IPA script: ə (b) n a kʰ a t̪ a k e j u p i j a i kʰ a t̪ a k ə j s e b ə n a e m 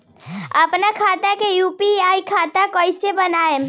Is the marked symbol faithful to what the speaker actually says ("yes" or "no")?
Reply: no